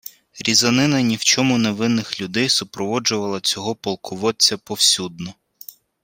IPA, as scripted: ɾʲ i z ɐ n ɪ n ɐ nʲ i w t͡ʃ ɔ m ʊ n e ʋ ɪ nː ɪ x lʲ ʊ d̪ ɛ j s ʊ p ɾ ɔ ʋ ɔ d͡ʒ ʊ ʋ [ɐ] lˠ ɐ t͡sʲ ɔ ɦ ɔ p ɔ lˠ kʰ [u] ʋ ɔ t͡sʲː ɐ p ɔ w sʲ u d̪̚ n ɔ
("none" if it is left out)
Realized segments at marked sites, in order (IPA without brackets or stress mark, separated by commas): ɐ, ʊ